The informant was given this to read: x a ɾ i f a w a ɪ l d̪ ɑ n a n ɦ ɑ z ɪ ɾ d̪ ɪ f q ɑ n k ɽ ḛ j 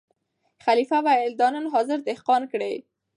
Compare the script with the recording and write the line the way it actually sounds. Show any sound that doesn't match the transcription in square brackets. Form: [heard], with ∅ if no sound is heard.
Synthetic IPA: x a [l] i f a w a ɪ l d̪ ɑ n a n ɦ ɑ z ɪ ɾ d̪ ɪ [h] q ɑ n k ɽ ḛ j